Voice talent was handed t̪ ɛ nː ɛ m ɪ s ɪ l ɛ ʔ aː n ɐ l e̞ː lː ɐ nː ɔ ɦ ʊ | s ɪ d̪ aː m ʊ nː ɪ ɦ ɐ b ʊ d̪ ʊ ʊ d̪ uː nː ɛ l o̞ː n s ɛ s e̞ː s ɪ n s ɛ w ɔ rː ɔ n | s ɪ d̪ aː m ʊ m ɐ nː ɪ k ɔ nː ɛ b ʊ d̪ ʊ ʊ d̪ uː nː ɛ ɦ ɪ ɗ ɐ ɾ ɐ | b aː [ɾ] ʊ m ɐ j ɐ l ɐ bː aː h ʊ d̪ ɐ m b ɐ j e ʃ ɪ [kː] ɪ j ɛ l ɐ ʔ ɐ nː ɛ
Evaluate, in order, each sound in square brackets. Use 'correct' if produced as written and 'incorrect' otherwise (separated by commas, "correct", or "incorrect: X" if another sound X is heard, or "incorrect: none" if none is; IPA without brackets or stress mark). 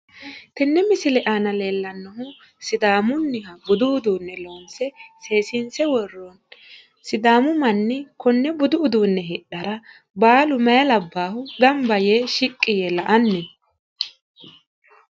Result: incorrect: l, incorrect: kʼː